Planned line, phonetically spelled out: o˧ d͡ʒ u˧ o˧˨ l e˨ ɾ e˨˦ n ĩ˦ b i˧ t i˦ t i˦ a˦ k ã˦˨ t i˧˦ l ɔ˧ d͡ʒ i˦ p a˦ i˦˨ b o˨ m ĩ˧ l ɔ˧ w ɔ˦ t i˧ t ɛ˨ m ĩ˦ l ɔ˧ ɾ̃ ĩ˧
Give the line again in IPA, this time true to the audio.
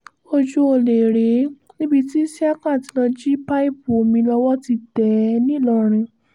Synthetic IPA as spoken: o˧ d͡ʒ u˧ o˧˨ l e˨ ɾ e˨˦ n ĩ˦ b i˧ t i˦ s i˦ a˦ k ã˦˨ t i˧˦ l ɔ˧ d͡ʒ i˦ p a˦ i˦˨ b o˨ m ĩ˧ l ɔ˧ w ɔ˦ t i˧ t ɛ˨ n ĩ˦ l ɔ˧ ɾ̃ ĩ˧

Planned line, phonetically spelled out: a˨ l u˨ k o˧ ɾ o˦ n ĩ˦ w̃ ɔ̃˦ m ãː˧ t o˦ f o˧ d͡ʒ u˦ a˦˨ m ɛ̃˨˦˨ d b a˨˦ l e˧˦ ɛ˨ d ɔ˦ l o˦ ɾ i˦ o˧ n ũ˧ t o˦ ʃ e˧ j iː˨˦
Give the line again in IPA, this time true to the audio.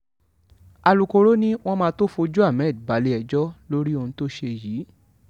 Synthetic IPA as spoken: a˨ l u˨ k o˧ ɾ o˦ n ĩ˦ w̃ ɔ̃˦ m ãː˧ t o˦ f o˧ d͡ʒ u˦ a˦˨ m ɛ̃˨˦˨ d b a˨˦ l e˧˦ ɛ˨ d͡ʒ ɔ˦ l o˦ ɾ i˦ o˧ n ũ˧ t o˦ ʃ e˧ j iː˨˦

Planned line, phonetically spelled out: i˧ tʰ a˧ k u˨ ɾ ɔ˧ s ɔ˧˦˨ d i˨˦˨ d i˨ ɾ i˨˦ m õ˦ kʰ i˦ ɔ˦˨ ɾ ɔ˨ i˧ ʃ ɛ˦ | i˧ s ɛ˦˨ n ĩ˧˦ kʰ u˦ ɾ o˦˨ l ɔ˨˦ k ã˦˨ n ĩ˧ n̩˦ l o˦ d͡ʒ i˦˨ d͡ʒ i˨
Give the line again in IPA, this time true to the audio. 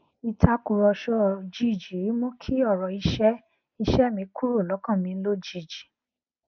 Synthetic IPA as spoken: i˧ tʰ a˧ k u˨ ɾ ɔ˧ ʃ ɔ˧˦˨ d͡ʒ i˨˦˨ d͡ʒ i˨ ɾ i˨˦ m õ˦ kʰ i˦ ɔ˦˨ ɾ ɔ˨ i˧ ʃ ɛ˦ | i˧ ʃ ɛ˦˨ m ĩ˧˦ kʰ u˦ ɾ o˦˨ l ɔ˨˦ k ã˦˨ m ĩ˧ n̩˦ l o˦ d͡ʒ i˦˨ d͡ʒ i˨

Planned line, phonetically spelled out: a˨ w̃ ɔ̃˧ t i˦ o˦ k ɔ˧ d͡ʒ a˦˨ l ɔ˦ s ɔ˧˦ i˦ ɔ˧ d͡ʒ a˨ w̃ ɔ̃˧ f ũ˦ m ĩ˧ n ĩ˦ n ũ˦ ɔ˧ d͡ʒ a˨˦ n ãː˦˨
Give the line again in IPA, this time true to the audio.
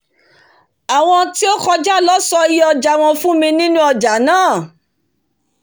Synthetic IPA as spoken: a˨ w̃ ɔ̃˧ t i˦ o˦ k ɔ˧ d͡ʒ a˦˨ l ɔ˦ s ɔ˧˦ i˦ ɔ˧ d͡ʒ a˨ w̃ ɔ̃˧ f ũ˦ m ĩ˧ n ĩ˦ n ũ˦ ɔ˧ d͡ʒ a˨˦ n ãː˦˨

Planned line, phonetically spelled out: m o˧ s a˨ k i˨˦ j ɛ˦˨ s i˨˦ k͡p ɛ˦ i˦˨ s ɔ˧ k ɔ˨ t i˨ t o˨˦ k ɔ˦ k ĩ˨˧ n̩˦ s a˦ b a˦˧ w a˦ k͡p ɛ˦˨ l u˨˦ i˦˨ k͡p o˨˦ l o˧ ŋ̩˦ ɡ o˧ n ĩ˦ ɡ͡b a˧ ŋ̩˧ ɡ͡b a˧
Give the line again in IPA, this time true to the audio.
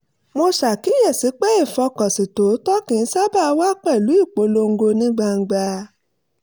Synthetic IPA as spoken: m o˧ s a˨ k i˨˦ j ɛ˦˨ s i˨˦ k͡p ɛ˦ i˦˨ f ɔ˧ k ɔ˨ s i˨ t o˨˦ t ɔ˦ k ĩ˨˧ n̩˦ s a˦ b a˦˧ w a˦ k͡p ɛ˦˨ l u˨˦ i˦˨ k͡p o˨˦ l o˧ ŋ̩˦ ɡ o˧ n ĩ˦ ɡ͡b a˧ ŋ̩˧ ɡ͡b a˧

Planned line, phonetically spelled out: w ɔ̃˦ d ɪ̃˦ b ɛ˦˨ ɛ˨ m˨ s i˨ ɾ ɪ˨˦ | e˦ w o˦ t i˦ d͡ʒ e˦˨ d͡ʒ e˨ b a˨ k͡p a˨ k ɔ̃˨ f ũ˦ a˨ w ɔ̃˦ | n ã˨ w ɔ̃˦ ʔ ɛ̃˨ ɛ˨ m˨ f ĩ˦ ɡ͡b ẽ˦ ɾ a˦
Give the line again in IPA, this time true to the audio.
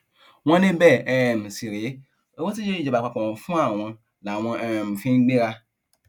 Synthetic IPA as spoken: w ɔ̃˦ n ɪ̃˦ b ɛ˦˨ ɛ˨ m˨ s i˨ ɾ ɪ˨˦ | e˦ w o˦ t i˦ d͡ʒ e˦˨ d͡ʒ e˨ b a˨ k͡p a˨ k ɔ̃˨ f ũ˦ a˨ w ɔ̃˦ | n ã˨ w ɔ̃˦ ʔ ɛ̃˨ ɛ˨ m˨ f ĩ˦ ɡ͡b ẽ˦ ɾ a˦

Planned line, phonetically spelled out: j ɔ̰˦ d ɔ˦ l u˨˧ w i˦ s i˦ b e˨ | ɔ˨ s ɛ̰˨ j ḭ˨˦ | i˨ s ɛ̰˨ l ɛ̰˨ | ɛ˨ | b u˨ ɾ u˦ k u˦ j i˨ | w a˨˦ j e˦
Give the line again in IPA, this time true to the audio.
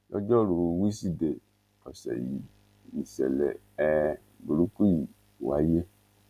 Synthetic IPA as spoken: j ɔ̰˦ d͡ʒ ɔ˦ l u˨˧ w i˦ s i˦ d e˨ | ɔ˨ s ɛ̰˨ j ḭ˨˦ | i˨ s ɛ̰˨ l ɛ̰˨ | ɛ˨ | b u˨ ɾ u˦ k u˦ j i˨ | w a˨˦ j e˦

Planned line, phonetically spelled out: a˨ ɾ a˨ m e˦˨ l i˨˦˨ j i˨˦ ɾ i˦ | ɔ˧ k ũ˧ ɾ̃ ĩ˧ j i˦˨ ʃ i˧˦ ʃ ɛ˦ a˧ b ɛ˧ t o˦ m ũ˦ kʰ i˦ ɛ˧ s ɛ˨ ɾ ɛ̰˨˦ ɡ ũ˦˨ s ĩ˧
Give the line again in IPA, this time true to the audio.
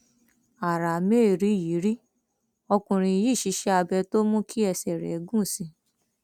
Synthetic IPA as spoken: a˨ ɾ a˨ m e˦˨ ɾ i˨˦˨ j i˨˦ ɾ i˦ | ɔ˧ k ũ˧ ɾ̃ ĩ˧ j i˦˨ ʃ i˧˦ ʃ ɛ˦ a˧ b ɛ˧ t o˦ m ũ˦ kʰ i˦ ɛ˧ s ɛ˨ ɾ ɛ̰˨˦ ɡ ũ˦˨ s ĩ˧

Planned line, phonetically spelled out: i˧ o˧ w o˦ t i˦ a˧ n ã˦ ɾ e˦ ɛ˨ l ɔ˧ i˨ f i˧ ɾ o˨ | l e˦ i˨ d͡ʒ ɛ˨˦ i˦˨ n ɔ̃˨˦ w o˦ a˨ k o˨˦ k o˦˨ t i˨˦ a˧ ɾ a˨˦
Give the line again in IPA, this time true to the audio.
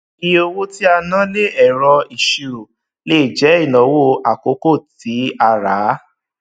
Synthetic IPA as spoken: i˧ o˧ w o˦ t i˦ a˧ n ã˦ l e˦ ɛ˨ ɾ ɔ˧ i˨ ʃ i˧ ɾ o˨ | l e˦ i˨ d͡ʒ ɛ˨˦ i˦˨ n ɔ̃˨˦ w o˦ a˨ k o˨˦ k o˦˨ t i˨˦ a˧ ɾ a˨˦

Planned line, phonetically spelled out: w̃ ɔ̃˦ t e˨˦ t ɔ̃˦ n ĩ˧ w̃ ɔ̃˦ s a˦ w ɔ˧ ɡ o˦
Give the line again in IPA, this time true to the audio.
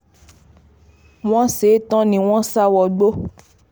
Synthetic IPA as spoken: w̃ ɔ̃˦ s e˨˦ t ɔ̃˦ n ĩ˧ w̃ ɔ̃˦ s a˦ w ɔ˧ ɡ͡b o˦

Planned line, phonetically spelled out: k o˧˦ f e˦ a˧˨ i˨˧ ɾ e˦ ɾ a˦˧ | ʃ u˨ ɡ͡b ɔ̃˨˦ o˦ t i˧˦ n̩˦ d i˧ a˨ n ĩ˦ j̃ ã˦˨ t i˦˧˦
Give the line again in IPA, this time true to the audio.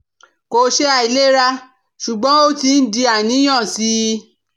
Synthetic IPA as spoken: k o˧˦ ʃ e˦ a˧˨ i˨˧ l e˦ ɾ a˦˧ | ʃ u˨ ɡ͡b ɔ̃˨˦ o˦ t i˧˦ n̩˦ d i˧ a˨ n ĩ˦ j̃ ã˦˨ s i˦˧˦

